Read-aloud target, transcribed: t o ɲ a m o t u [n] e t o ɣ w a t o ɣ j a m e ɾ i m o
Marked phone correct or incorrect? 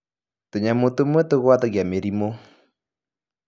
incorrect